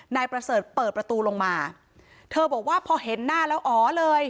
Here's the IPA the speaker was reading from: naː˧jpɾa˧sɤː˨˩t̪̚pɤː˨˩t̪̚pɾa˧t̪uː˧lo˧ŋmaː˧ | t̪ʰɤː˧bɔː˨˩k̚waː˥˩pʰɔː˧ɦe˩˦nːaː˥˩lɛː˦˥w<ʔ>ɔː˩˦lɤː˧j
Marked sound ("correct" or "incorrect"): correct